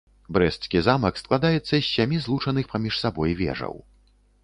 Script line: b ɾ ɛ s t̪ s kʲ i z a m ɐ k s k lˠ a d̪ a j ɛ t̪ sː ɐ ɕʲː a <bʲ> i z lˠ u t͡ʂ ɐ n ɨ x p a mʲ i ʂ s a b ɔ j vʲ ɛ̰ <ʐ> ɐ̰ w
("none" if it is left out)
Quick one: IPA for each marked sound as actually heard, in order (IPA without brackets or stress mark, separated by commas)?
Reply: mʲ, ʐ